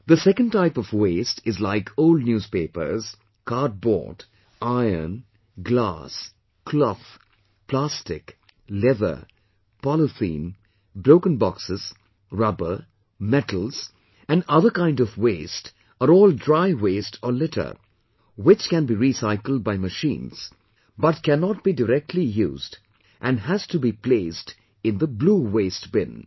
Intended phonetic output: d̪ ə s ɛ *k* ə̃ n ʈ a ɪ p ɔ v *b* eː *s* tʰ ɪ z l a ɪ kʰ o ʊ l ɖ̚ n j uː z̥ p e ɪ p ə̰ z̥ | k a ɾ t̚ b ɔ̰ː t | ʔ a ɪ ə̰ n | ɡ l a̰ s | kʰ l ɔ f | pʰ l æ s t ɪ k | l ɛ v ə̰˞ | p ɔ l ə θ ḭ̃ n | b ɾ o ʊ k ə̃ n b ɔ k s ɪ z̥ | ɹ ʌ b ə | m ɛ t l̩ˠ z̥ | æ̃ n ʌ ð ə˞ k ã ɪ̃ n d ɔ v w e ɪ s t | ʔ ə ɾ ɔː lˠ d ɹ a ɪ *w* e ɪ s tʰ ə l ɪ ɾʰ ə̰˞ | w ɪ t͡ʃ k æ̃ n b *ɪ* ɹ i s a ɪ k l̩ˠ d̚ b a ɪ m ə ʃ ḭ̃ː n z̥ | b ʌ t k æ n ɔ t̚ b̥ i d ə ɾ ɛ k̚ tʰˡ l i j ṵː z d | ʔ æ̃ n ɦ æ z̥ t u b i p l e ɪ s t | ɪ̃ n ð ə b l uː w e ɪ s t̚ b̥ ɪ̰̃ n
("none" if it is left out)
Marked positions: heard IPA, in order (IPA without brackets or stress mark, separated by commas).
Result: k, w, s, w, i